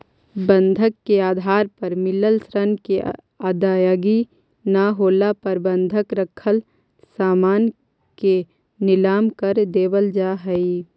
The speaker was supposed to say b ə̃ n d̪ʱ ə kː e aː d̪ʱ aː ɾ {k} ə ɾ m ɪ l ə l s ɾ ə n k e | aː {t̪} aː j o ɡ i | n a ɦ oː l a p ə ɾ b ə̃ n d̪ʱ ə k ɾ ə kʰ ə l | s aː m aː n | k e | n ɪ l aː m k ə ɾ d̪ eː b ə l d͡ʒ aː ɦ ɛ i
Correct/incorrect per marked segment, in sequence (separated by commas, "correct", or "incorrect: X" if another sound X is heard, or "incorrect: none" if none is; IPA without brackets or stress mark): incorrect: p, incorrect: d̪